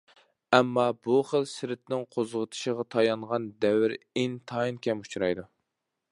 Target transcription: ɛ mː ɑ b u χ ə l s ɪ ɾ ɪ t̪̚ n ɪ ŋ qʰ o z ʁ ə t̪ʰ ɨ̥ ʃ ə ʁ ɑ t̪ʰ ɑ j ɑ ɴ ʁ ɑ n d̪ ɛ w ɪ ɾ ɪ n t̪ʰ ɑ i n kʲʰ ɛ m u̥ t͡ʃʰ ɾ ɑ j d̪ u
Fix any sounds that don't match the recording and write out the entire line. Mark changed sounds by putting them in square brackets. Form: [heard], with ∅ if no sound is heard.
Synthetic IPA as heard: ɛ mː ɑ b u χ ə l s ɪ ɾ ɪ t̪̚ n ɪ ŋ qʰ o z ʁ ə t̪ʰ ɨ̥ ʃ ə ʁ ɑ t̪ʰ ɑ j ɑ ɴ ʁ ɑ n d̪ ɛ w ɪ ɾ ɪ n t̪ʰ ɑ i n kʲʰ ɛ m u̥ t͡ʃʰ ɾ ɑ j d̪ u